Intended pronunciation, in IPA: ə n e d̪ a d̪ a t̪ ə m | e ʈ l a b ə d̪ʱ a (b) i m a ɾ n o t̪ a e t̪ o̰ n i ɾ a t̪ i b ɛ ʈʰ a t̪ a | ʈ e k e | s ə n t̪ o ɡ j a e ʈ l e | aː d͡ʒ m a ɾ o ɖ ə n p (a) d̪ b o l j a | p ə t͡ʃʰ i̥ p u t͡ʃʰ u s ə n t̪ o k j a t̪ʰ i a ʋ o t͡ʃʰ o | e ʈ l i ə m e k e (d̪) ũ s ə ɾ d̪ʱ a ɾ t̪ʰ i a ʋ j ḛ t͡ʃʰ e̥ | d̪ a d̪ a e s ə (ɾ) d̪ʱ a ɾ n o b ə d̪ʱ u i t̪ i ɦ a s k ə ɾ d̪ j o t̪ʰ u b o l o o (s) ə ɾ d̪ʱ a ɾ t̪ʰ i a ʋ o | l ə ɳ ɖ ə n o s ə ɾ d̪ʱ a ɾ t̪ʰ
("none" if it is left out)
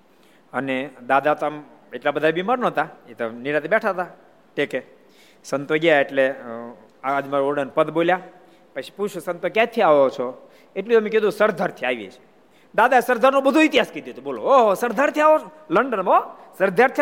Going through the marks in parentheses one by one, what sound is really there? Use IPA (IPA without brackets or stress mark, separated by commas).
b, ə, d̪, ɾ, s